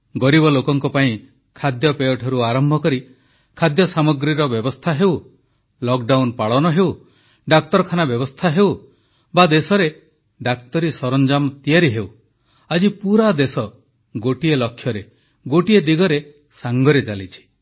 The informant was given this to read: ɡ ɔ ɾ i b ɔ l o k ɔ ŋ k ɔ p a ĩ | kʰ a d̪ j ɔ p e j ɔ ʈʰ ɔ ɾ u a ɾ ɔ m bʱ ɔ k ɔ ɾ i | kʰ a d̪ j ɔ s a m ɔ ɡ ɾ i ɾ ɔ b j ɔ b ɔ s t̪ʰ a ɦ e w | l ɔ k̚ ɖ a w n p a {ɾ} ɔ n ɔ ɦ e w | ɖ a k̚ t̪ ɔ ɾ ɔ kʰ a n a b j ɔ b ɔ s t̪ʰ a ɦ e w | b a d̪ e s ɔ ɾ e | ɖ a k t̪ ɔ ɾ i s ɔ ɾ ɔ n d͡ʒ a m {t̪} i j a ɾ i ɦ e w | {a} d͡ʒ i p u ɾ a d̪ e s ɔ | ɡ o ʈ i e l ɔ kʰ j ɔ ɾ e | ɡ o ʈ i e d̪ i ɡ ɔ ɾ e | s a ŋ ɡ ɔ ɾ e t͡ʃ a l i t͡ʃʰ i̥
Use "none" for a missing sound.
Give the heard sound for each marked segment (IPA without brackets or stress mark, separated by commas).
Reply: ɭ, t̪, a